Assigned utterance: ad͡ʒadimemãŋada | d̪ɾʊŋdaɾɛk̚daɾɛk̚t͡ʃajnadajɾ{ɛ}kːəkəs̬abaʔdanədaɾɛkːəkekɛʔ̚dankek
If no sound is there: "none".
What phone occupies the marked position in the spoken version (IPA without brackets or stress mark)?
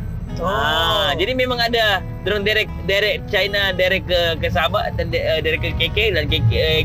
ɛ